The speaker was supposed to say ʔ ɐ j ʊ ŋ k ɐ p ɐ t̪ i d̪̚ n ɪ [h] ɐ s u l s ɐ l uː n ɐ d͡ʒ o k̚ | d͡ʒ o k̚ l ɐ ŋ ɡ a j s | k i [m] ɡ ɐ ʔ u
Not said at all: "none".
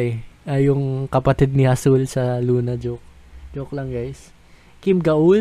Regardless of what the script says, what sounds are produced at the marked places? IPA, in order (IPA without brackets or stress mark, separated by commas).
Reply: h, m